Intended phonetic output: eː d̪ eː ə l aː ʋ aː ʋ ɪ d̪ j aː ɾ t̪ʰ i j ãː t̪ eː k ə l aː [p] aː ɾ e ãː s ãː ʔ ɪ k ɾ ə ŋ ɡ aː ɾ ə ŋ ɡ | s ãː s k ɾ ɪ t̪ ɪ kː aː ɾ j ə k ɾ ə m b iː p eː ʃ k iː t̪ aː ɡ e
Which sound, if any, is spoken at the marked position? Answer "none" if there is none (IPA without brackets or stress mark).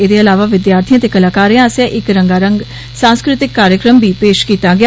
k